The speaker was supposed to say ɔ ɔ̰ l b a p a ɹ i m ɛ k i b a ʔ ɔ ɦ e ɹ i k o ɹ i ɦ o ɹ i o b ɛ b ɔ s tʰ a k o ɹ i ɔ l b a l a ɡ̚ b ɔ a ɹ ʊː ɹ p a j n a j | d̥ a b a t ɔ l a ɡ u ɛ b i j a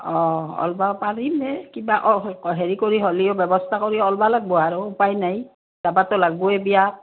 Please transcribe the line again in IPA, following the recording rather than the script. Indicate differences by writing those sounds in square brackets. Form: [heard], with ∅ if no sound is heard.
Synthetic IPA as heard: ɔ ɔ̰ l b a p a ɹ i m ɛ k i b a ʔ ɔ ɦ e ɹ i k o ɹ i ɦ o [l] i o b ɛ b ɔ s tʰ a k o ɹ i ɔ l b a l a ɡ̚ b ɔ a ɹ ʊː [∅] p a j n a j | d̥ a b a t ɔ l a ɡ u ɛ b i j a